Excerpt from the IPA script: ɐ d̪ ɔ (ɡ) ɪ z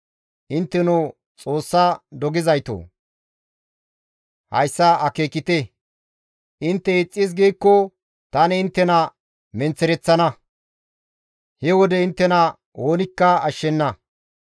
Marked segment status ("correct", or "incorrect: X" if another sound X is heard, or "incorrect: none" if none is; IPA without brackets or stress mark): correct